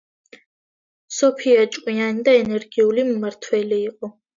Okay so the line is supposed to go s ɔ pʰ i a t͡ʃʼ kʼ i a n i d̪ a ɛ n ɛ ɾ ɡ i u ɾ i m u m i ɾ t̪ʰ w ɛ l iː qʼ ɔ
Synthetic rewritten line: s ɔ pʰ i a t͡ʃʼ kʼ i a n i d̪ a ɛ n ɛ ɾ ɡ i u l i m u m a ɾ t̪ʰ w ɛ l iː qʼ ɔ